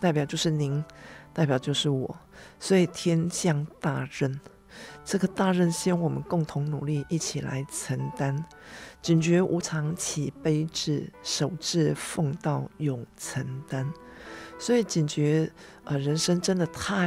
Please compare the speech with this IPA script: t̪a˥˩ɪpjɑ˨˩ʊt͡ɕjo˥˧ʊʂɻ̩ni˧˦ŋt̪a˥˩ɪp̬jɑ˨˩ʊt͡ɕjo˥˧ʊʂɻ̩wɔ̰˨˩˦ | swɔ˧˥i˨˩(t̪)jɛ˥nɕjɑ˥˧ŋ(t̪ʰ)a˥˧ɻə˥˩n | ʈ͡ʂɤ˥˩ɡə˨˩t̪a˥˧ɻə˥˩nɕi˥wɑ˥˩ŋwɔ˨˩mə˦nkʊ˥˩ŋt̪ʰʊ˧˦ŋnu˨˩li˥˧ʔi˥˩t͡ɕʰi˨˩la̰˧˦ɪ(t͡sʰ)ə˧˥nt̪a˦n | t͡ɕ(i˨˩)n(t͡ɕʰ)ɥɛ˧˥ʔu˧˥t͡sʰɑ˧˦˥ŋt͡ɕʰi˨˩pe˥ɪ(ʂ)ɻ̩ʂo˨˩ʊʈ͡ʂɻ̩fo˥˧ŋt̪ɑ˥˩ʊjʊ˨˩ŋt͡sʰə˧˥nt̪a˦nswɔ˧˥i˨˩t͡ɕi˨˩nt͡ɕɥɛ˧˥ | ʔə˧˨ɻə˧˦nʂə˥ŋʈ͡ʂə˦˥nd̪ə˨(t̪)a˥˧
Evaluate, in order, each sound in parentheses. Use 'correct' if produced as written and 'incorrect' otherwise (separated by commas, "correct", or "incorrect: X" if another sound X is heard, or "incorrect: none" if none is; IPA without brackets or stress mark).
incorrect: t̪ʰ, incorrect: t̪, correct, correct, incorrect: t͡ɕ, incorrect: ʈ͡ʂ, incorrect: t̪ʰ